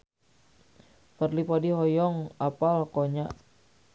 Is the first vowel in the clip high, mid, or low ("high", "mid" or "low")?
mid